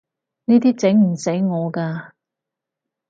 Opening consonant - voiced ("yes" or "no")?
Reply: yes